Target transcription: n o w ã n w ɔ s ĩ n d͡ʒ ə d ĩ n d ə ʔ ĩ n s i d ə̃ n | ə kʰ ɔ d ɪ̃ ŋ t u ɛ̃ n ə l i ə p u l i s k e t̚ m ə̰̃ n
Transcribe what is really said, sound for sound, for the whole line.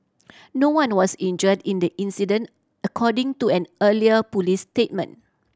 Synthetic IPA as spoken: n o w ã n w ɔ s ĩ n d͡ʒ ə d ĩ n d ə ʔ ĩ n s i d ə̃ n | ə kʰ ɔ d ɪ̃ ŋ t u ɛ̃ n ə l i ə p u l i s t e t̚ m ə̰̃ n

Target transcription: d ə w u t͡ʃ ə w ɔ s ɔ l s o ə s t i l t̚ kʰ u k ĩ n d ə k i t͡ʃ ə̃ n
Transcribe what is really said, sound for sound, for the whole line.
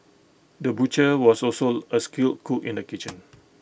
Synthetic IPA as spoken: d ə b u t͡ʃ ə w ɔ s ɔ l s o ə s k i l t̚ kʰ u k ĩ n d ə k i t͡ʃ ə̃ n

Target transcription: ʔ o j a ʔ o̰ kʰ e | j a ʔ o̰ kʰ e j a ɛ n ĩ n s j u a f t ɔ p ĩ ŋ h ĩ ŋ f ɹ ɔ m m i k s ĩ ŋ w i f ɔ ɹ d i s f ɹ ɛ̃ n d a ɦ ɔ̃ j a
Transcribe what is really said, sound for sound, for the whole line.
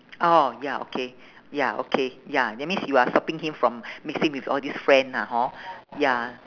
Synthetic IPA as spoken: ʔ o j a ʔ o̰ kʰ e | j a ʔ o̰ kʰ e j a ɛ m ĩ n s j u a s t ɔ p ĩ ŋ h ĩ m f ɹ ɔ̃ m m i k s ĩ ŋ w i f ɔ l d i s f ɹ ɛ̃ n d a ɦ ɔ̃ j a

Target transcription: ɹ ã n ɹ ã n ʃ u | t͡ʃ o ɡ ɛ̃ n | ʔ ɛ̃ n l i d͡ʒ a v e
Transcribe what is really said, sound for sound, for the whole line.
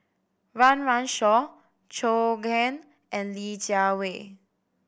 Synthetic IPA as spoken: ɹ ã n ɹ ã n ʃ ɔ | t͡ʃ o ɡ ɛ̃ n | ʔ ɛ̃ n l i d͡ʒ a w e

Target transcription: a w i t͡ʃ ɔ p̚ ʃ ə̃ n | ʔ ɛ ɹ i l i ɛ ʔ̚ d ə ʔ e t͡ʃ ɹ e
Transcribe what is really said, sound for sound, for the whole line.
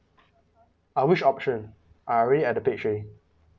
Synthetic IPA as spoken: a w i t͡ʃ ɔ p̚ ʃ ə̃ n | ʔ a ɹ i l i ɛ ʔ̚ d ə p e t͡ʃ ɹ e

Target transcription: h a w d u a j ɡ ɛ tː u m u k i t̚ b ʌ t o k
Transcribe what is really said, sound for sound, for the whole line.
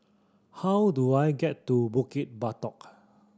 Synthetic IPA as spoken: h a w d u a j ɡ ɛ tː u b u k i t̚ b a t ɔ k

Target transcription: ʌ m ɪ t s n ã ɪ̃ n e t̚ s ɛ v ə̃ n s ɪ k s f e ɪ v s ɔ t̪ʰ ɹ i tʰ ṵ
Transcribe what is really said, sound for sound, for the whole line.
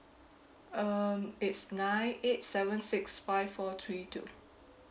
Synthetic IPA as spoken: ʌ m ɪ t s n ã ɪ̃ n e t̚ s ɛ v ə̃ n s ɪ k s f a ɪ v f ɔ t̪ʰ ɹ i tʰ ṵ

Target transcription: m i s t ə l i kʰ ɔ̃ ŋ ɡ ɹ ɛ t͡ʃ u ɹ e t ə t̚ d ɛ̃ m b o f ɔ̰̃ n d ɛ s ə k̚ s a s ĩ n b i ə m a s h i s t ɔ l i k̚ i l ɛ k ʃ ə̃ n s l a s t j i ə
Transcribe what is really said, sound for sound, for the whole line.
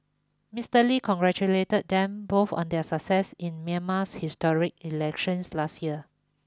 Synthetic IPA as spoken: m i s t ə l i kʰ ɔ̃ ŋ ɡ ɹ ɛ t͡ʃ u l e t ə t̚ d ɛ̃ m b o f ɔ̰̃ n d ɛ s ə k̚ s ɛ s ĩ n m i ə m a s h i s t ɔ ɹ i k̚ i l ɛ k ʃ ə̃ n s l a s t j i ə

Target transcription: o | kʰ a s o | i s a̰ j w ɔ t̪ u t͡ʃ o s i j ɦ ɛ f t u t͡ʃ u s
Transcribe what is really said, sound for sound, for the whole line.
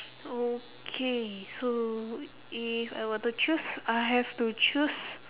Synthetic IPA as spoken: o | kʰ e s o | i f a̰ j w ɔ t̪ u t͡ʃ u s a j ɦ ɛ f t u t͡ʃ u s

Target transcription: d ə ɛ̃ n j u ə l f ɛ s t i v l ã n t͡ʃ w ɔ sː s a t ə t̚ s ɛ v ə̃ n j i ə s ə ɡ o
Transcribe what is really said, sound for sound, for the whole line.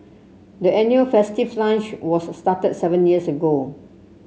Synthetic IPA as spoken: d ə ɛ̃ n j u ə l f ɛ s t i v l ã n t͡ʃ w ɔ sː t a t ə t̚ s ɛ v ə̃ n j i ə s ə ɡ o

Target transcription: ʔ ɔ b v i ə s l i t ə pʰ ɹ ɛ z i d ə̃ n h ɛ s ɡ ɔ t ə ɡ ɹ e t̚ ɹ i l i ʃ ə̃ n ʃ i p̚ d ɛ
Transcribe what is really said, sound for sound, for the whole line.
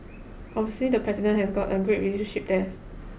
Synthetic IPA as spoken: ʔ ɔ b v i ə s l i d ə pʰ ɹ ɛ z i d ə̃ n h ɛ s ɡ ɔ t ə ɡ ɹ e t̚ ɹ i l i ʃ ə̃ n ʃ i p̚ d ɛ

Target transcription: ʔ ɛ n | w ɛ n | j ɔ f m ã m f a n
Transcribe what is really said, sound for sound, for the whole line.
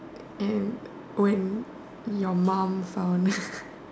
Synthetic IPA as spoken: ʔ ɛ n | w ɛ n | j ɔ m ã m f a n

